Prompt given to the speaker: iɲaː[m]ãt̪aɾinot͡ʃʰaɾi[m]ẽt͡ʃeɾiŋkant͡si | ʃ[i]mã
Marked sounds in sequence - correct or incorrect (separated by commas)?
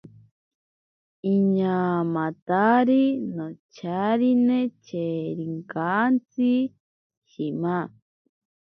correct, incorrect, correct